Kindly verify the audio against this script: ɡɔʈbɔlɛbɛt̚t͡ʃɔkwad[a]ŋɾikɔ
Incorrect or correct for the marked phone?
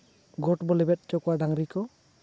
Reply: correct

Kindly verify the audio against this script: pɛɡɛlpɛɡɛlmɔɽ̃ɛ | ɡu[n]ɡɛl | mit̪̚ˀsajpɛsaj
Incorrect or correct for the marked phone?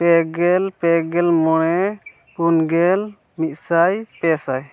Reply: correct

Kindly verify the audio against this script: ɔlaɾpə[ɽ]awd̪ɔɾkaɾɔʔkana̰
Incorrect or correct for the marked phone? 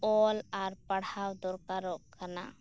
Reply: correct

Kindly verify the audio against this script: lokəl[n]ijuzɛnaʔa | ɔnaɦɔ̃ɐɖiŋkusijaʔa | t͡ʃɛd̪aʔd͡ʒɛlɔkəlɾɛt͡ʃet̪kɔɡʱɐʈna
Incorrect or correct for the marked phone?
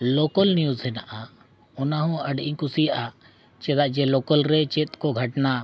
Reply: correct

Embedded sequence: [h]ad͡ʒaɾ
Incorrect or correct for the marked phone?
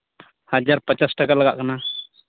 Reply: correct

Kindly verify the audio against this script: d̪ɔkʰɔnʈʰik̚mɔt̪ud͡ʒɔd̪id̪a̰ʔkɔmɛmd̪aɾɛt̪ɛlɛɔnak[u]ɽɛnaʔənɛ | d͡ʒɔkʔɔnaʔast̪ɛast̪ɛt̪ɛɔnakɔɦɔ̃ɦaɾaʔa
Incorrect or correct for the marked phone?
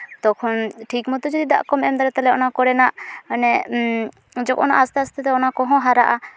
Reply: incorrect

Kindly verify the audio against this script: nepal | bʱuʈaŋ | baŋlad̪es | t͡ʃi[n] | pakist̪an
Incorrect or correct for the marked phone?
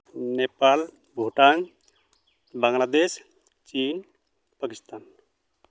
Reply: correct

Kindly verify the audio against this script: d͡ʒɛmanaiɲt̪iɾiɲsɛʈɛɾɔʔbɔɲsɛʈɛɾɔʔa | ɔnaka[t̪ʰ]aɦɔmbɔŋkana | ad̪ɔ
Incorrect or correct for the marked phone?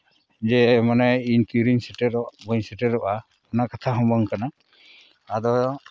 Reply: correct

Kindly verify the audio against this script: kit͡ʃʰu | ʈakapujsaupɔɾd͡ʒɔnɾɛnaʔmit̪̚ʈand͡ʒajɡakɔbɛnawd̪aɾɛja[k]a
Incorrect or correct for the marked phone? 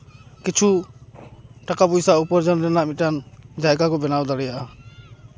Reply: incorrect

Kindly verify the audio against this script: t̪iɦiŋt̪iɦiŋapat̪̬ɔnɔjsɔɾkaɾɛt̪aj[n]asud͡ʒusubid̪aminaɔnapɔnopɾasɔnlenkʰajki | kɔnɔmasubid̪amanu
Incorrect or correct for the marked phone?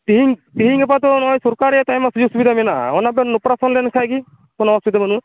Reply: incorrect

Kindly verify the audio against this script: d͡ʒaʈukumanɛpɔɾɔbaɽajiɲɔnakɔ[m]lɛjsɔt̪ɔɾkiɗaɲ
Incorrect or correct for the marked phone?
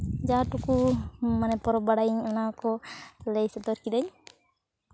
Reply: incorrect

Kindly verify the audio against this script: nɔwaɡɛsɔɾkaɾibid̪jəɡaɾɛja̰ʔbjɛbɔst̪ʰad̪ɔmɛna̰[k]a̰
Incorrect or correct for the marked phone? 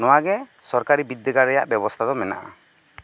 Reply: incorrect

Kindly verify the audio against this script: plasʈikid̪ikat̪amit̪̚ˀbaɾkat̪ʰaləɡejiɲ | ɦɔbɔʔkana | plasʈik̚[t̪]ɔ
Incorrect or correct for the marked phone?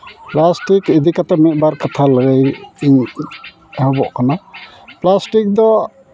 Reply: incorrect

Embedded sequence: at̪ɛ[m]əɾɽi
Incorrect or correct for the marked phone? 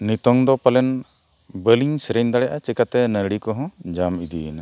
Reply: incorrect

